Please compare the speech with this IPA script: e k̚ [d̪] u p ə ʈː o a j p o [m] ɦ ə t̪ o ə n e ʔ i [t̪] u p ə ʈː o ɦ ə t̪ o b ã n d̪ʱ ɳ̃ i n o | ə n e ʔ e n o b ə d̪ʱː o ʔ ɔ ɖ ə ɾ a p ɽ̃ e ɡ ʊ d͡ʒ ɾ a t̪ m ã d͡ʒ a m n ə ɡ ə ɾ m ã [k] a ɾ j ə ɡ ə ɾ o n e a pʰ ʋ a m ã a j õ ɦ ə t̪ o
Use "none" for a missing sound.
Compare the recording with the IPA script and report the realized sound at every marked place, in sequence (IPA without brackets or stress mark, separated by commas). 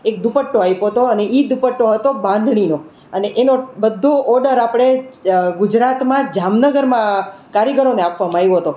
d̪, none, d̪, k